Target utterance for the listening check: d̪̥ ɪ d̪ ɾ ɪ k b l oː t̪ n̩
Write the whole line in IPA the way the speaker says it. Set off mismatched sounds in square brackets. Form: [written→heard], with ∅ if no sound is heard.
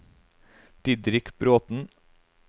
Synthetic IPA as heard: d̪̥ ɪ d̪ ɾ ɪ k b [l→ɾ] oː t̪ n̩